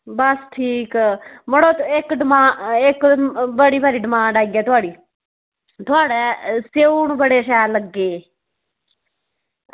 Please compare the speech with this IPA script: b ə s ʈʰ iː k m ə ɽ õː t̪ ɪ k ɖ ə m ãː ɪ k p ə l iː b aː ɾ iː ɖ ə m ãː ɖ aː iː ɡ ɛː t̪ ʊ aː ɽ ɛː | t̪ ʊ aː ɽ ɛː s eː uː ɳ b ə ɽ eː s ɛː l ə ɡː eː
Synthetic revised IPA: b ə s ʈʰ iː k m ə ɽ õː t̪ ɪ k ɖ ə m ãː ɪ k b ə ɽ iː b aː ɾ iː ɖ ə m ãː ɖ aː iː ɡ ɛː t̪ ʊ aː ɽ iː | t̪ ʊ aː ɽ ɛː s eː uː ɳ b ə ɽ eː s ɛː l ə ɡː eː